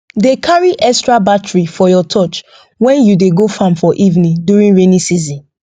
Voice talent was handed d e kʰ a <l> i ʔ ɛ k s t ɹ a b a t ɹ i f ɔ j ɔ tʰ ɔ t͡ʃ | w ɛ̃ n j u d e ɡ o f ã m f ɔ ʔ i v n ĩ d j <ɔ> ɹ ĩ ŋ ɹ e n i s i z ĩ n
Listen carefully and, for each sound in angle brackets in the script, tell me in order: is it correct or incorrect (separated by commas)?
incorrect, incorrect